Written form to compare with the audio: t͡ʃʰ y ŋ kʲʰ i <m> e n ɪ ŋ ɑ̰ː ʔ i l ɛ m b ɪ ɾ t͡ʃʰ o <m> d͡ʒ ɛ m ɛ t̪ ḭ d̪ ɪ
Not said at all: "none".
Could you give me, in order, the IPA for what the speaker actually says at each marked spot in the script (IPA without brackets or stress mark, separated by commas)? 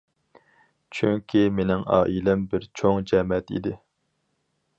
m, ŋ